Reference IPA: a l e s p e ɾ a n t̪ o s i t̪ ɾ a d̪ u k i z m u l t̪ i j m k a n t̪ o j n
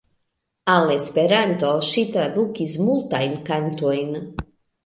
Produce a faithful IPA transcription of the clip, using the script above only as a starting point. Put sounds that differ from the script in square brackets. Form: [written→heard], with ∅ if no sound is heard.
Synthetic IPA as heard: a l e s p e ɾ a n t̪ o [s→ʃ] i t̪ ɾ a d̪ u k i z m u l t̪ [i→a] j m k a n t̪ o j n